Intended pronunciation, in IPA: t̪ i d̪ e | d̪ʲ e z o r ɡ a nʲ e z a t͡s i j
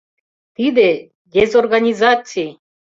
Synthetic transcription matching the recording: t̪ i d̪ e | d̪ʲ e z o r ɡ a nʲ i z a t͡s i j